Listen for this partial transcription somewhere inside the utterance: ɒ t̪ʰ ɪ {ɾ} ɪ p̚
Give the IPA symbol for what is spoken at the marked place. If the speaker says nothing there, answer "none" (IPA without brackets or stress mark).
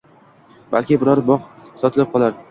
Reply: l